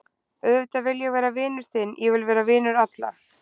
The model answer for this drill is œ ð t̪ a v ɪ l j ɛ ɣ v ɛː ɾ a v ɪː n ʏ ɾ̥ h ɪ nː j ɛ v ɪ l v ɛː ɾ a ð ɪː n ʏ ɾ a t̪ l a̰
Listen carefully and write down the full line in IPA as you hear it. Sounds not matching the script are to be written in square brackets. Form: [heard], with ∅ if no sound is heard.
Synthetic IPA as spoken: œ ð t̪ a v ɪ l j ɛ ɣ v ɛː ɾ a v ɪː n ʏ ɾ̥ [θ] ɪ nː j ɛ v ɪ l v ɛː ɾ a [v] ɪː n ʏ ɾ a t̪ l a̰